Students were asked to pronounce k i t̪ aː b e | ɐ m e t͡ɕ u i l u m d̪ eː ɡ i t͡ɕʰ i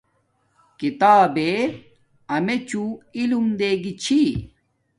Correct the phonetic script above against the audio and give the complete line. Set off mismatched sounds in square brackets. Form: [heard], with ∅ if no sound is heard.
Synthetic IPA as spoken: k i t̪ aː b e | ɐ m e t͡ɕ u i l u m d̪ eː ɡ i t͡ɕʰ i

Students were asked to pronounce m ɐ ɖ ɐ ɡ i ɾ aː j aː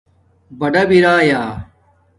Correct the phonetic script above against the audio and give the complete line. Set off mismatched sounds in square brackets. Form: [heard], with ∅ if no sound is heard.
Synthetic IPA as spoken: [b] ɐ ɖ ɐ [b] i ɾ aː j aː

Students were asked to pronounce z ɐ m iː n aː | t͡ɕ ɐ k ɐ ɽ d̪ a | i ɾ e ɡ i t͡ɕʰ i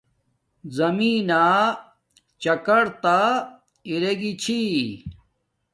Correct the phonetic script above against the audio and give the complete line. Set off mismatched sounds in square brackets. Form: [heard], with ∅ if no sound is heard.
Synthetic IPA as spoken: z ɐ m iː n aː | t͡ɕ ɐ k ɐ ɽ [t̪] a | i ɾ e ɡ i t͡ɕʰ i

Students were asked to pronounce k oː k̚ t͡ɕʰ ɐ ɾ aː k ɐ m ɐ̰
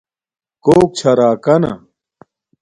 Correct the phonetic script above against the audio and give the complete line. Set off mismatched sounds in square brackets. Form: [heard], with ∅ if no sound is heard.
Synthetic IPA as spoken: k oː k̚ t͡ɕʰ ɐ ɾ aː k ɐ [n] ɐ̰

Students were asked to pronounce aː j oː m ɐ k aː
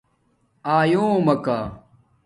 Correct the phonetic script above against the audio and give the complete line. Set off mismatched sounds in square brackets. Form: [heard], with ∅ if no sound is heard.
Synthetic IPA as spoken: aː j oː m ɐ k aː

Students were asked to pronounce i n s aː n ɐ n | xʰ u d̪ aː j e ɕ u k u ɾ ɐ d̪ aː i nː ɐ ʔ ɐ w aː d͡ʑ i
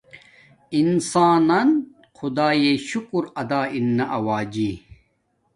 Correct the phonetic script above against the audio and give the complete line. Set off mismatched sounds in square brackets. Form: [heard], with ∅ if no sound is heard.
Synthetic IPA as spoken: i n s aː n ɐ n | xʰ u d̪ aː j e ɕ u k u ɾ ɐ d̪ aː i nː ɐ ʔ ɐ w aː d͡ʑ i

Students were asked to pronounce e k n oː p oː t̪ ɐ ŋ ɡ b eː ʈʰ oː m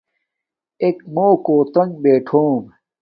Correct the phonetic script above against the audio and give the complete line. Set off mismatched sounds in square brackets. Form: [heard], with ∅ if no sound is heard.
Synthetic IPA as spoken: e k [m] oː [k] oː t̪ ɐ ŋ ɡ b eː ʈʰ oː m

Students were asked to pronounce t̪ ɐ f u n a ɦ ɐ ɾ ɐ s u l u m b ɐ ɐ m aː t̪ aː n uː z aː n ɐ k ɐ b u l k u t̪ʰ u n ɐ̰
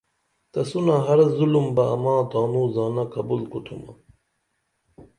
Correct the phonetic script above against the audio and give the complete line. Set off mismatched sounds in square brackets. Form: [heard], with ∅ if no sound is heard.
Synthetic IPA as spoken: t̪ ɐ [s] u n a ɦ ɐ ɾ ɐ [z] u l u m b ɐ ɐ m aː t̪ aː n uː z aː n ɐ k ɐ b u l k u t̪ʰ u [m] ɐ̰

